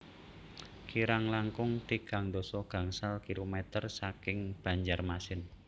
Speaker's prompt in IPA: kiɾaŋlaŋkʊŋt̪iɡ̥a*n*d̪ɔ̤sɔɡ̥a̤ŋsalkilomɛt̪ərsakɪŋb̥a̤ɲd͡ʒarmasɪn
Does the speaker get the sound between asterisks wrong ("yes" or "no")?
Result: yes